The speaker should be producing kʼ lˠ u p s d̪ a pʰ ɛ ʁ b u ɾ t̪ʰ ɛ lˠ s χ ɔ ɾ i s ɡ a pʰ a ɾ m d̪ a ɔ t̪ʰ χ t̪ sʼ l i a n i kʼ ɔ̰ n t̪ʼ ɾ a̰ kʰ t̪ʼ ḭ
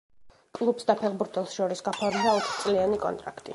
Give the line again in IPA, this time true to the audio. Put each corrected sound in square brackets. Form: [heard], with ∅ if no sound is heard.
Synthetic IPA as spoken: kʼ lˠ u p s d̪ a pʰ ɛ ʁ b u ɾ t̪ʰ ɛ lˠ s [ʃ] ɔ ɾ i s ɡ a pʰ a ɾ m d̪ a ɔ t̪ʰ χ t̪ sʼ l i a n i kʼ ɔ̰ n t̪ʼ ɾ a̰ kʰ t̪ʼ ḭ

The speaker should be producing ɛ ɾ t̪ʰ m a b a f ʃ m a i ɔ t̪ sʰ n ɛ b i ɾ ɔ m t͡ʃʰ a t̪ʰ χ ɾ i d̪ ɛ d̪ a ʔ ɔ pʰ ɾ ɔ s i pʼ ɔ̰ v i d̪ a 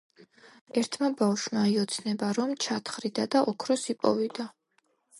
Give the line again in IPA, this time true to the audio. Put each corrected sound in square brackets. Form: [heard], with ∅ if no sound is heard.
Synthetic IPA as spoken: ɛ ɾ t̪ʰ m a b a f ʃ m a i ɔ t̪ sʰ n ɛ b [a] ɾ ɔ m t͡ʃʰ a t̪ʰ χ ɾ i d̪ [a] d̪ a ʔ ɔ [kʰ] ɾ ɔ s i pʼ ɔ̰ v i d̪ a

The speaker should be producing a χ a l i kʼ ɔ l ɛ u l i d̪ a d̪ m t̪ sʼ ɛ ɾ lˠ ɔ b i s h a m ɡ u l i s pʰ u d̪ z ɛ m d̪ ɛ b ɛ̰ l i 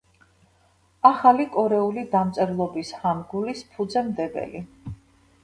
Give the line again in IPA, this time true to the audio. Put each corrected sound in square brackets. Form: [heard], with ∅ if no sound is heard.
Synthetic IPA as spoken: a χ a l i kʼ ɔ [ɾ] ɛ u l i d̪ a [∅] m t̪ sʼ ɛ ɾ lˠ ɔ b i s h a m ɡ u l i s pʰ u d̪ z ɛ m d̪ ɛ b ɛ̰ l i

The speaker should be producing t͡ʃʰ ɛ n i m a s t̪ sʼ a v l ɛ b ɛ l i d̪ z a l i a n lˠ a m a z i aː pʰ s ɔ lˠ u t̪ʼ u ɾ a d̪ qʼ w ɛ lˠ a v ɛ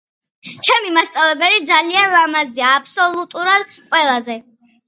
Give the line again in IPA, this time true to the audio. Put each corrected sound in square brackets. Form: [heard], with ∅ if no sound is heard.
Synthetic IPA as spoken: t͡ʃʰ ɛ [m] i m a s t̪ sʼ a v l ɛ b ɛ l i d̪ z a l i a n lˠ a m a z i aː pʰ s ɔ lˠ u t̪ʼ u ɾ a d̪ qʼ w ɛ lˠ a [z] ɛ

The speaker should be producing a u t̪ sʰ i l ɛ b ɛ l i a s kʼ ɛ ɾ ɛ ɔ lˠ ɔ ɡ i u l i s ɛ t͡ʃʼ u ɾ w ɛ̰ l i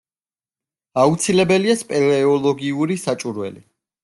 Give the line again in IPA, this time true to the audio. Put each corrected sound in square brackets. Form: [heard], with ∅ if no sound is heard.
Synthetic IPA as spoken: a u t̪ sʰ i l ɛ b ɛ l i a s [pʼ] ɛ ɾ ɛ ɔ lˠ ɔ ɡ i u [ɾ] i s [a] t͡ʃʼ u ɾ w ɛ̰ l i

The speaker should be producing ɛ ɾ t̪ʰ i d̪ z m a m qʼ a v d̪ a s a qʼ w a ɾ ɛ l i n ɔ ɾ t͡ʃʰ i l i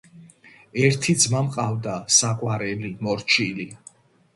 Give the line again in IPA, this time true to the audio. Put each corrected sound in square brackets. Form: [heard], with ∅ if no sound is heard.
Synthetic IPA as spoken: ɛ ɾ t̪ʰ i d̪ z m a m qʼ a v d̪ a s a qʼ w a ɾ ɛ l i [m] ɔ ɾ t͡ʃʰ i l i

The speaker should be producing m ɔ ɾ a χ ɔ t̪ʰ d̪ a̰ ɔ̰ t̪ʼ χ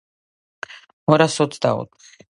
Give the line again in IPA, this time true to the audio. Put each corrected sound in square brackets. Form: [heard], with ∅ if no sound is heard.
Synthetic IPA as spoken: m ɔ ɾ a [s] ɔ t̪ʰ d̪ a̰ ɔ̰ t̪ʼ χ

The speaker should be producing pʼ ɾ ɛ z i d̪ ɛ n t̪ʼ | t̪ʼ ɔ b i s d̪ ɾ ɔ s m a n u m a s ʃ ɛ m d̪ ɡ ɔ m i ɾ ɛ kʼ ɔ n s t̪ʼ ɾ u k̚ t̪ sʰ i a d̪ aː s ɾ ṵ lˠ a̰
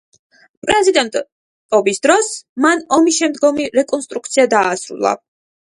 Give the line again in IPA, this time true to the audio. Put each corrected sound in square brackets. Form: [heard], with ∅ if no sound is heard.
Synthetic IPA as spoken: pʼ ɾ ɛ z i d̪ ɛ n t̪ʼ | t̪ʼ ɔ b i s d̪ ɾ ɔ s m a n [ɔ] m [i] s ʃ ɛ m d̪ ɡ ɔ m i ɾ ɛ kʼ ɔ n s t̪ʼ ɾ u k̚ t̪ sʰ i a d̪ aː s ɾ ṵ lˠ a̰

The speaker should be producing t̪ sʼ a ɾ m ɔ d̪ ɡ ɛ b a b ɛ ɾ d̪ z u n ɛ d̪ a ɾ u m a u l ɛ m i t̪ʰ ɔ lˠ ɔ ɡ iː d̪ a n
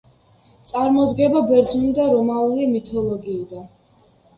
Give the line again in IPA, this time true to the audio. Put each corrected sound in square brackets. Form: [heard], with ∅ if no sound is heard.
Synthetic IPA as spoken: t̪ sʼ a ɾ m ɔ d̪ ɡ ɛ b a b ɛ ɾ d̪ z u n [i] d̪ a ɾ [ɔ] m a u l [i] m i t̪ʰ ɔ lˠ ɔ ɡ iː d̪ a n

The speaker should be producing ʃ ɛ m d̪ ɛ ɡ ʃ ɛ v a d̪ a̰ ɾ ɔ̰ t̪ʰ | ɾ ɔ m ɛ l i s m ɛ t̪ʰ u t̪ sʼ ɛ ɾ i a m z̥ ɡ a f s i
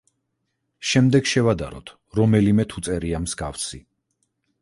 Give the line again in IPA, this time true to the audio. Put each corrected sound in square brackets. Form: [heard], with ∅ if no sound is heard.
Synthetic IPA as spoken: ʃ ɛ m d̪ ɛ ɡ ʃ ɛ v a d̪ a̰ ɾ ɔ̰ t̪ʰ | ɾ ɔ m ɛ l i [∅] m ɛ t̪ʰ u t̪ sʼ ɛ ɾ i a m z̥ ɡ a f s i

